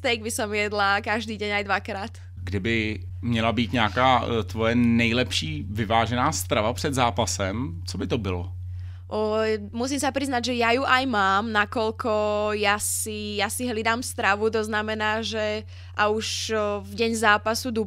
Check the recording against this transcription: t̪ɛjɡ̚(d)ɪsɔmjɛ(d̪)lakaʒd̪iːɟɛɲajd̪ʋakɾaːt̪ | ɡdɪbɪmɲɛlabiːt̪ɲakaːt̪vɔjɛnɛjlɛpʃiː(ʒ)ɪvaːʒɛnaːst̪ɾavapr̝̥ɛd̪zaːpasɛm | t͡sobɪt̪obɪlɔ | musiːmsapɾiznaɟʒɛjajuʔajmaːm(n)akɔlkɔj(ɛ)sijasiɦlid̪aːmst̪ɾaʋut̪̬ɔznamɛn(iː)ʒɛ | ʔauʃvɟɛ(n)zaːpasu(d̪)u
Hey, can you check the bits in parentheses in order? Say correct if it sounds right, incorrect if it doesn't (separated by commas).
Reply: incorrect, correct, incorrect, correct, incorrect, incorrect, incorrect, correct